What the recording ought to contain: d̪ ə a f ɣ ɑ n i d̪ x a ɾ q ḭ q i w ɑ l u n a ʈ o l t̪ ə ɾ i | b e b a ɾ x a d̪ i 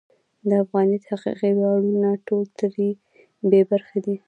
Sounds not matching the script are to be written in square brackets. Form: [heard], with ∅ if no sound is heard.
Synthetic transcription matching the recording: d̪ ə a f ɣ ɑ n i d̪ [h] a [∅] q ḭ q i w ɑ [ɽ] u n a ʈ o l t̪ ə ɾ i | b e b a ɾ x a d̪ i